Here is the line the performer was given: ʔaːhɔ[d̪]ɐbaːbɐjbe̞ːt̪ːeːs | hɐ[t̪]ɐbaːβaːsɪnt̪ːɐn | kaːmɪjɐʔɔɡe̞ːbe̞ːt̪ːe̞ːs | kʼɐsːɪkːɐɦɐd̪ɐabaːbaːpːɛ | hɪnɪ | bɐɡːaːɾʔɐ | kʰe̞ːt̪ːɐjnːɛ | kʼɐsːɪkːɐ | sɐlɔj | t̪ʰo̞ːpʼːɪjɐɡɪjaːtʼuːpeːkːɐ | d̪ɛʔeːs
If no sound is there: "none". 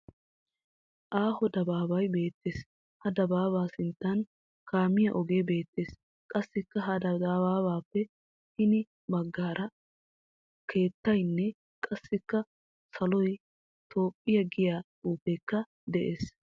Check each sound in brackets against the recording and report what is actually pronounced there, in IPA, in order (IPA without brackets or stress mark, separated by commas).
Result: d̪, d̪